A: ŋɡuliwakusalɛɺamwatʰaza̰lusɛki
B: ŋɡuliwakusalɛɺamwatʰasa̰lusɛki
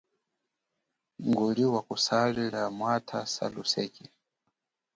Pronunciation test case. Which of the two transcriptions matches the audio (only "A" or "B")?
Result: B